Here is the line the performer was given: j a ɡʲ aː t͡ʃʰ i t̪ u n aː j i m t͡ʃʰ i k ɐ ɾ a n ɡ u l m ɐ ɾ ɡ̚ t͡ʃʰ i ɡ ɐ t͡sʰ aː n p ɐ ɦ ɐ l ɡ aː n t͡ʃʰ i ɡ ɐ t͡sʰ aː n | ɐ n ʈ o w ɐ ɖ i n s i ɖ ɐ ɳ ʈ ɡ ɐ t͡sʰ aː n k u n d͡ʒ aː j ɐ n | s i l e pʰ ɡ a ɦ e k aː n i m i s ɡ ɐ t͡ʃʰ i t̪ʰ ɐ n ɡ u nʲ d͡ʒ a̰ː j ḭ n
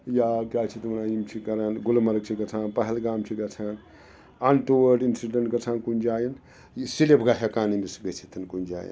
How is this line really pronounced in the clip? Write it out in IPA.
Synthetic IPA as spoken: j a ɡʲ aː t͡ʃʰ i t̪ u n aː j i m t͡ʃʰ i k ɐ ɾ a n ɡ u l m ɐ ɾ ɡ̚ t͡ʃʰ i ɡ ɐ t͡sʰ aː n p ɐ ɦ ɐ l ɡ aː m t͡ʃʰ i ɡ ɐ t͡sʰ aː n | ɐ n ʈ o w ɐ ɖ i n s i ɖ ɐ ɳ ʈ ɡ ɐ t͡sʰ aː n k u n d͡ʒ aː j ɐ n | s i l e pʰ ɡ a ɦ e k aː n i m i s ɡ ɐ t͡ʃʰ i t̪ʰ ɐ n k u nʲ d͡ʒ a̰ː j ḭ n